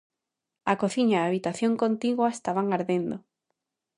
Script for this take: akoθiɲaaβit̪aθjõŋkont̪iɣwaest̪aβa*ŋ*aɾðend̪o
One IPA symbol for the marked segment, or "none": ŋ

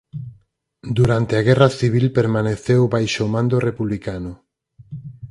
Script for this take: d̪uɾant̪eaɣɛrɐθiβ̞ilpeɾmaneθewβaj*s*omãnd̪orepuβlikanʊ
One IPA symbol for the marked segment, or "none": ʃ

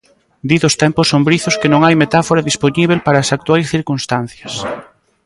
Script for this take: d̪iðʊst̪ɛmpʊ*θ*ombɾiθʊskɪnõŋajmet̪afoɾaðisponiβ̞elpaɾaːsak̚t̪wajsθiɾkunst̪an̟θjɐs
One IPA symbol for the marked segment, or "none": s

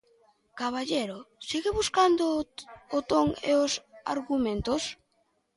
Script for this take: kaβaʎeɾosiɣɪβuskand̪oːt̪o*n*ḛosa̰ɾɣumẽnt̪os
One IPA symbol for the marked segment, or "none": ŋ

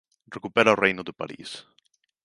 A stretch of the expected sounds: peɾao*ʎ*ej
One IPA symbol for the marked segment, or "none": r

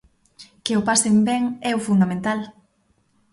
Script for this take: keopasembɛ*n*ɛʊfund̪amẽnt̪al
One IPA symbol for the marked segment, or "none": ŋ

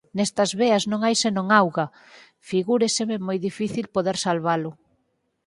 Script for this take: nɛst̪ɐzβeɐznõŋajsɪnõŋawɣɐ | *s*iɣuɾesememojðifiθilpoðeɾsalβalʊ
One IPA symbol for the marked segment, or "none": f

